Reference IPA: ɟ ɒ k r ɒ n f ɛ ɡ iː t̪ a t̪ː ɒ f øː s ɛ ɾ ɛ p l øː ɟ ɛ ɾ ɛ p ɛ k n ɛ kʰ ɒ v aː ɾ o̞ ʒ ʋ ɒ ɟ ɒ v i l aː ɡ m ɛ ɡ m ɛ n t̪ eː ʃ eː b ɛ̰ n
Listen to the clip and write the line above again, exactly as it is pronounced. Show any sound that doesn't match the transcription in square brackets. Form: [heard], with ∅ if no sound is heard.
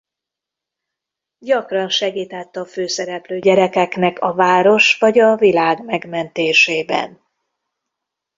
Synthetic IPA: ɟ ɒ k r ɒ n [ʃ] ɛ ɡ iː t̪ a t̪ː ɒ f øː s ɛ ɾ ɛ p l øː ɟ ɛ ɾ ɛ [k] ɛ k n ɛ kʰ ɒ v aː ɾ o̞ [ʃ] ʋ ɒ ɟ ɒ v i l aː ɡ m ɛ ɡ m ɛ n t̪ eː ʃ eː b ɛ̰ n